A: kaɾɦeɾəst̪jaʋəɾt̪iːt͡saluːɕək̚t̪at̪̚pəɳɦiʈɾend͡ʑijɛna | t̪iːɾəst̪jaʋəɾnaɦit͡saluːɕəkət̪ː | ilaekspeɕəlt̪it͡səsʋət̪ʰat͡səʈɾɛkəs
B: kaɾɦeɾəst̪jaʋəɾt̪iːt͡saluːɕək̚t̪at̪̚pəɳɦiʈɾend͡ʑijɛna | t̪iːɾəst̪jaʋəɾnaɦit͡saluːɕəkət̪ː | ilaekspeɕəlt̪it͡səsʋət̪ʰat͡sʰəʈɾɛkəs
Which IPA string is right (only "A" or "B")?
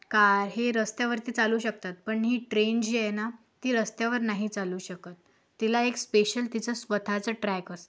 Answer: A